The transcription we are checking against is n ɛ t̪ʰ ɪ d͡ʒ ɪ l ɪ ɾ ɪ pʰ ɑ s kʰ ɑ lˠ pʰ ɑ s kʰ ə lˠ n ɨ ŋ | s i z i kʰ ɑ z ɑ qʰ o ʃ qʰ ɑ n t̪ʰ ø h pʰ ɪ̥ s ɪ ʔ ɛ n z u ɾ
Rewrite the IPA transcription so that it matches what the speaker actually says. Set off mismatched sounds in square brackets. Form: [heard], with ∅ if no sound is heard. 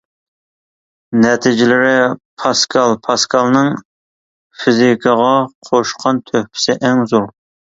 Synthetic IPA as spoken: n ɛ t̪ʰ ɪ d͡ʒ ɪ l ɪ ɾ ɪ pʰ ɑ s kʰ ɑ lˠ pʰ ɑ s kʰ [ɑ] lˠ n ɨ ŋ | [f] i z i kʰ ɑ [ʁ] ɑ qʰ o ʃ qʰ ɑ n t̪ʰ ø h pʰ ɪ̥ s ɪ ʔ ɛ [ŋ] z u ɾ

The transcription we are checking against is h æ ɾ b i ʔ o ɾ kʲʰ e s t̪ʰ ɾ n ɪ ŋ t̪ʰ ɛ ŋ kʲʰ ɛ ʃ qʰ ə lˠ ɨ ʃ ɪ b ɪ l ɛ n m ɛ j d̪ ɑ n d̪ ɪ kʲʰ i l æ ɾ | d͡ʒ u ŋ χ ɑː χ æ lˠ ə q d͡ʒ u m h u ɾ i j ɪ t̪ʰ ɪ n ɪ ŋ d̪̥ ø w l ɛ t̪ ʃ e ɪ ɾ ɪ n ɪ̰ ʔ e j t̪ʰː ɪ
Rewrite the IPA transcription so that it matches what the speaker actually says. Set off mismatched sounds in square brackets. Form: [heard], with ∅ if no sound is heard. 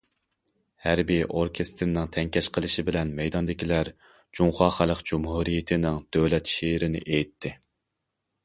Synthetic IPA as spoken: h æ ɾ b i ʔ o ɾ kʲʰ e s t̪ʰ ɾ n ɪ ŋ t̪ʰ ɛ ŋ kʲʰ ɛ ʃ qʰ ə lˠ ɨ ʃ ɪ b ɪ l ɛ n m ɛ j d̪ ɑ n d̪ ɪ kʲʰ i l æ ɾ | d͡ʒ u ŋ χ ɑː χ æ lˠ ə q d͡ʒ u m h u ɾ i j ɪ t̪ʰ ɪ n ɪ ŋ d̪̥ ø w l ɛ t̪ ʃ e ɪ ɾ ɪ n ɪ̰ ʔ e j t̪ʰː ɪ

